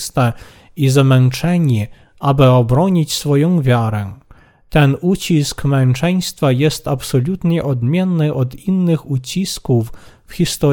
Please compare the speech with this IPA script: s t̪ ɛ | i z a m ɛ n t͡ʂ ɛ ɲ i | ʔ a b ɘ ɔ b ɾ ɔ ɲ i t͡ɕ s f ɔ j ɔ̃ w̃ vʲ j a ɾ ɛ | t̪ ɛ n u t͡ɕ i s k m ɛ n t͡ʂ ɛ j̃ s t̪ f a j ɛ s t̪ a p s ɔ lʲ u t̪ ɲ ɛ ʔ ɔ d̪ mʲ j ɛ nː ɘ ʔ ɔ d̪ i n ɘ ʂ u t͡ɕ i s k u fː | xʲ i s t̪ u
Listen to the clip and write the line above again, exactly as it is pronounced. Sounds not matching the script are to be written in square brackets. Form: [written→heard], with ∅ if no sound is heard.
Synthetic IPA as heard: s t̪ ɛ | i z a m ɛ n t͡ʂ ɛ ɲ i | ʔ a b ɘ ɔ b ɾ ɔ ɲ i t͡ɕ s f ɔ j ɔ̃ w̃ vʲ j a ɾ ɛ | t̪ ɛ n u t͡ɕ i s k m ɛ n t͡ʂ ɛ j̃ s t̪ f a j ɛ s t̪ a p s ɔ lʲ u t̪ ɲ ɛ ʔ ɔ d̪ mʲ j ɛ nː ɘ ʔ ɔ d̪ i [n→nː] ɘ [ʂ→x] u t͡ɕ i s k u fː | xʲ i s t̪ [u→ɔ]